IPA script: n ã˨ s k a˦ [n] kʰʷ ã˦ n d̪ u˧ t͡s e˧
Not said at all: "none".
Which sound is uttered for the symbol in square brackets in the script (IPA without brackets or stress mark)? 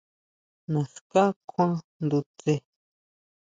none